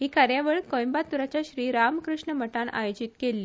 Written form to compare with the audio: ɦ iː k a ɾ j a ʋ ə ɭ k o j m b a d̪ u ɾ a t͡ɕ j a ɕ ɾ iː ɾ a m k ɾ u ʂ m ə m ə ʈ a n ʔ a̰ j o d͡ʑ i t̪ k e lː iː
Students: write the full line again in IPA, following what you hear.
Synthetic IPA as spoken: ɦ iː k a ɾ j a ʋ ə ɭ k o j m b a t̪ u ɾ a t͡ɕ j a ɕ ɾ iː ɾ a m k ɾ u ʂ ɳ ə m ə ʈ a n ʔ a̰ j o d͡ʑ i t̪ k e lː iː

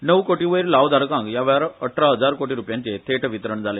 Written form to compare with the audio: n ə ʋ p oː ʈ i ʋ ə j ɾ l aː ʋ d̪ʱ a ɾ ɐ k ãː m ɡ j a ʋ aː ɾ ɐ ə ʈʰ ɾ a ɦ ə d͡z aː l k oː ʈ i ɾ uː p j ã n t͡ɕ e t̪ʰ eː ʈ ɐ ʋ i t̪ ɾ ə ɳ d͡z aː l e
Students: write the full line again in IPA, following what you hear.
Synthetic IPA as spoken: n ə ʋ k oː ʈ i ʋ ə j ɾ l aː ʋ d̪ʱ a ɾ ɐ k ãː ŋ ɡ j a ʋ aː ɾ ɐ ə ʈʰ ɾ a ɦ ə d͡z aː ɾ k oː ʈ i ɾ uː p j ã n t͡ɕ e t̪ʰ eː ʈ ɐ ʋ i t̪ ɾ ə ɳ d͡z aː l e

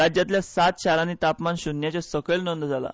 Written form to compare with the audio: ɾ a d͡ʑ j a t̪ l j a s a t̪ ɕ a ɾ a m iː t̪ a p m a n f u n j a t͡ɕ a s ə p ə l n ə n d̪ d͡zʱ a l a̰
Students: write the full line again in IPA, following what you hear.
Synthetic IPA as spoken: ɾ a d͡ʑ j a t̪ l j a s a t̪ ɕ a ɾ a n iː t̪ a p m a n ɕ u n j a t͡ɕ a s ə k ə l n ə n d̪ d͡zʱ a l a̰

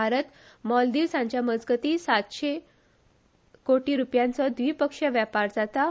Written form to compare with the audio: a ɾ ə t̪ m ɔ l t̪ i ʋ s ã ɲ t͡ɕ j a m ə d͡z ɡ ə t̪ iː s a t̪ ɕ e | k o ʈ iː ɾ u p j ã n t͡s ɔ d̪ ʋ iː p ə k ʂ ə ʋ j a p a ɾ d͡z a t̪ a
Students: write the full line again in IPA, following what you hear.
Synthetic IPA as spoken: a ɾ ə t̪ m ɔ l d̪ i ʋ s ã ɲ t͡ɕ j a m ə d͡z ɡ ə t̪ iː s a t̪ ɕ e | k o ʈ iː ɾ u p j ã n t͡s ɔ d̪ ʋ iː p ə k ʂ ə ʋ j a p a ɾ d͡z a t̪ a

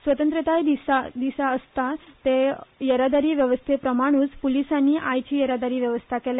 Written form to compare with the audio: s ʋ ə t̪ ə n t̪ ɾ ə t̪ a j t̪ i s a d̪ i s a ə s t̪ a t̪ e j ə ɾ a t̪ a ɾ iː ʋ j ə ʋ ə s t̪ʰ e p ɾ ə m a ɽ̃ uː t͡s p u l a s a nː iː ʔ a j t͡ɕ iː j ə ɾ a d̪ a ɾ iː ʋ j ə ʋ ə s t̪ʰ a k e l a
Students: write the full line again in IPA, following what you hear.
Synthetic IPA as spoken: s ʋ ə t̪ ə n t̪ ɾ ə t̪ a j d̪ i s a d̪ i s a ə s t̪ a t̪ e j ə ɾ a d̪ a ɾ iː ʋ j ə ʋ ə s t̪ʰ e p ɾ ə m a ɽ̃ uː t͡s p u l i s a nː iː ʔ a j t͡ɕ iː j ə ɾ a d̪ a ɾ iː ʋ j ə ʋ ə s t̪ʰ a k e l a

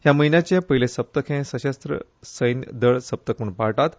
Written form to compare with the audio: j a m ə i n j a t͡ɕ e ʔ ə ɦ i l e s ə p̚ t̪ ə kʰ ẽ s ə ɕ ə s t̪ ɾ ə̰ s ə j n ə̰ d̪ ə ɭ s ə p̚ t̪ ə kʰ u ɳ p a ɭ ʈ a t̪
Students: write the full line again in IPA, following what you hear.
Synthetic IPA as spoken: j a m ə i n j a t͡ɕ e p ə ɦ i l e s ə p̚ t̪ ə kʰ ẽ s ə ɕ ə s t̪ ɾ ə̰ s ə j n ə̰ d̪ ə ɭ s ə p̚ t̪ ə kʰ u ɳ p a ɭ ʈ a t̪

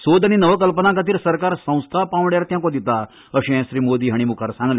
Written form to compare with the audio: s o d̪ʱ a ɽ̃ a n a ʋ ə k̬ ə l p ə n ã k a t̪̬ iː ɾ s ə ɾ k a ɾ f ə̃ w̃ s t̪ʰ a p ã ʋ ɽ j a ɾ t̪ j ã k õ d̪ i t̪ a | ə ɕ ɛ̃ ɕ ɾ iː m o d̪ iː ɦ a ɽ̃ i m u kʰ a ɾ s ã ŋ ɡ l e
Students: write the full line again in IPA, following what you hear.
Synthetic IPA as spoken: s o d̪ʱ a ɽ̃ i n ə ʋ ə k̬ ə l p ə n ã k a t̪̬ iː ɾ s ə ɾ k a ɾ s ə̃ w̃ s t̪ʰ a p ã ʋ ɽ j a ɾ t̪ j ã k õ d̪ i t̪ a | ə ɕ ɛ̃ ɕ ɾ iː m o d̪ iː ɦ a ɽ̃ i m u kʰ a ɾ s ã ŋ ɡ l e

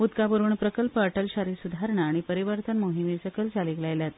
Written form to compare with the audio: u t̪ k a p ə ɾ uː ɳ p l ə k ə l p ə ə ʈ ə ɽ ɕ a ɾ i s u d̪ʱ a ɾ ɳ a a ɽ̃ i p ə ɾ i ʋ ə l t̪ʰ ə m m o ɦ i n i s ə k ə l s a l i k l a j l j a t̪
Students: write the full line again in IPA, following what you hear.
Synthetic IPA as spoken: u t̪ k a p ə ɾ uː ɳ p ɾ ə k ə l p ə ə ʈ ə l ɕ a ɾ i s u d̪ʱ a ɾ ɳ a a ɽ̃ i p ə ɾ i ʋ ə ɾ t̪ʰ ə n m o ɦ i m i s ə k ə l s a l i k l a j l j a t̪

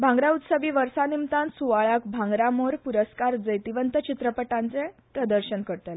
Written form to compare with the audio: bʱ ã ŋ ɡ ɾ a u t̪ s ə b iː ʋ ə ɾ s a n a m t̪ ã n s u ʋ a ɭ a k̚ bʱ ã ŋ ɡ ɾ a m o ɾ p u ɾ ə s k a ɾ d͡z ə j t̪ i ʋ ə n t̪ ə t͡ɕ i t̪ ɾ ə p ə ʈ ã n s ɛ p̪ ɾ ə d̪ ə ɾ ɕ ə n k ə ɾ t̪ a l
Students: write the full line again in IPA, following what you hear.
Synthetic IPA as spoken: bʱ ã ŋ ɡ ɾ a u t̪ s ə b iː ʋ ə ɾ s a n i m t̪ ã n s u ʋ a ɭ a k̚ bʱ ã ŋ ɡ ɾ a m o ɾ p u ɾ ə s k a ɾ d͡z ə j t̪ i ʋ ə n t̪ ə t͡ɕ i t̪ ɾ ə p ə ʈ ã n t͡s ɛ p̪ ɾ ə d̪ ə ɾ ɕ ə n k ə ɾ t̪ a l

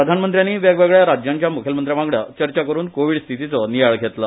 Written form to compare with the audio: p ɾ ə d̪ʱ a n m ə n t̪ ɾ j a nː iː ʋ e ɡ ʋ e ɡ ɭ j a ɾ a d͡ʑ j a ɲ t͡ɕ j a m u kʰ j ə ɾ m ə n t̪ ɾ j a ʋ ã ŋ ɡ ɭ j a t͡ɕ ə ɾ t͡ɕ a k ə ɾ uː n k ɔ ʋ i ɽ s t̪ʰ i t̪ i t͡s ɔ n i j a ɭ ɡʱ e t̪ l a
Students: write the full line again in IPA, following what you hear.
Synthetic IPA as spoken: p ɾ ə d̪ʱ a n m ə n t̪ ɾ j a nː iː ʋ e ɡ ʋ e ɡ ɭ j a ɾ a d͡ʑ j a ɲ t͡ɕ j a m u kʰ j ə l m ə n t̪ ɾ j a ʋ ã ŋ ɡ ɭ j a t͡ɕ ə ɾ t͡ɕ a k ə ɾ uː n k o ʋ i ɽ s t̪ʰ i t̪ i t͡s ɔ n i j a ɭ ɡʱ e t̪ l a

